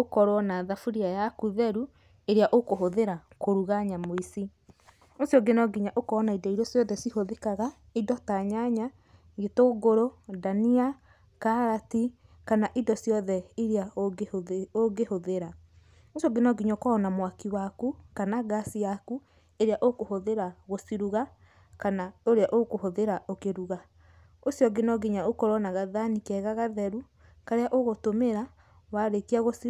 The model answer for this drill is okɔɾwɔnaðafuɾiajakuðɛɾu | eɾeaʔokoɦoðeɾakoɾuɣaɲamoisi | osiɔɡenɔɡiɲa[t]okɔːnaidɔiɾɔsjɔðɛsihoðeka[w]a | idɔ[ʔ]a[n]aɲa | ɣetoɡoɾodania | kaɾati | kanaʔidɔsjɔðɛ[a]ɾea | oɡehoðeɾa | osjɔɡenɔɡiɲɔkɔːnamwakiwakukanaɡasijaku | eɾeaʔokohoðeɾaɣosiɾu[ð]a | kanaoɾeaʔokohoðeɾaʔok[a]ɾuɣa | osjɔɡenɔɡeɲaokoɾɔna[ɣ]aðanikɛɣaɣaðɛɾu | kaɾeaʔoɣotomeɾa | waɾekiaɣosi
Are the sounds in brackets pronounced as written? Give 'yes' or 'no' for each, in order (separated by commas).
no, no, no, no, no, no, no, yes